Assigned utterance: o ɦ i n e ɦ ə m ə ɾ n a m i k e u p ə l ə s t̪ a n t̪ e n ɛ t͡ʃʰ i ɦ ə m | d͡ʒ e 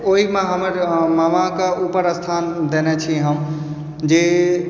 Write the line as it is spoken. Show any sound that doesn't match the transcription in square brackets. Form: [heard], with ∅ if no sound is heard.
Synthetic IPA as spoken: o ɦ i [m] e ɦ ə m ə ɾ [m] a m [a] k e u p ə [ɾ] ə s [t̪ʰ] a n [d̪] e n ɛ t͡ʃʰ i ɦ ə m | d͡ʒ e